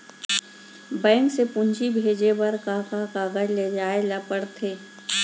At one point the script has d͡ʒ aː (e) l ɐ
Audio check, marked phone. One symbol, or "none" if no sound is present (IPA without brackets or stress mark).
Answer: e